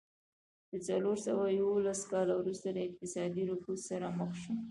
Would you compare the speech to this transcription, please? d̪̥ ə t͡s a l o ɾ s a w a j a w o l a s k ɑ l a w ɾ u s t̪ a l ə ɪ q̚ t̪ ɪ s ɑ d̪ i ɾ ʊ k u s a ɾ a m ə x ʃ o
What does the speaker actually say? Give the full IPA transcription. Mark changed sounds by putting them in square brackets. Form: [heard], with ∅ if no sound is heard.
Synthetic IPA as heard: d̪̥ ə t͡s a l o ɾ s a w a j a w o l a s k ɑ l a w ɾ u s t̪ a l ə ɪ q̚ t̪ ɪ s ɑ d̪ i ɾ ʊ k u s a ɾ a m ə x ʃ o